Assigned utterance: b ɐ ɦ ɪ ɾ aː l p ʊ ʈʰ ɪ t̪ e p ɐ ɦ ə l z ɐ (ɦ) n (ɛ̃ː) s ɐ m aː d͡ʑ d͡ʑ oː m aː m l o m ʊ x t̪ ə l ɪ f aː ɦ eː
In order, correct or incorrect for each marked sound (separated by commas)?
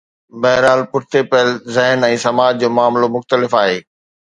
correct, correct